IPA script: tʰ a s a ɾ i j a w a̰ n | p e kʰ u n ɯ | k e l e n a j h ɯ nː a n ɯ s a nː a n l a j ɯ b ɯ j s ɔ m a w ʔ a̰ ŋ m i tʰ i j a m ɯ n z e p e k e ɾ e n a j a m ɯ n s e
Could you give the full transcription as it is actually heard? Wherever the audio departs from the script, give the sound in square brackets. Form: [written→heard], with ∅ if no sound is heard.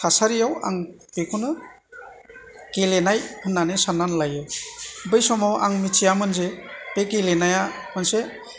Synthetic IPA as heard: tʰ a s a ɾ i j a w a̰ [n→ŋ] | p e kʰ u n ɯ | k e l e n a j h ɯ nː a n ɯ s a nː a n l a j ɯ b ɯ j s ɔ m a w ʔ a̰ ŋ m i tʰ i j a m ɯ n z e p e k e [ɾ→l] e n a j a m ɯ n s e